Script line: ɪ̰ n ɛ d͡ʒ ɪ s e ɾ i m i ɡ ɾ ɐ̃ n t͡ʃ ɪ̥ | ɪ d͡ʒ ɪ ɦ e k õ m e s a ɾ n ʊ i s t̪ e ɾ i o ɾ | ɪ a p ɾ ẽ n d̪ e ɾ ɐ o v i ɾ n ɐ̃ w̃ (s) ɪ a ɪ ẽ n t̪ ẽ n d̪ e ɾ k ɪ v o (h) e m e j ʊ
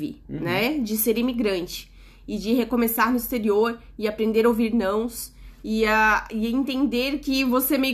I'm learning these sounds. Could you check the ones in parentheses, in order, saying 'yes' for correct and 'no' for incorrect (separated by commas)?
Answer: yes, no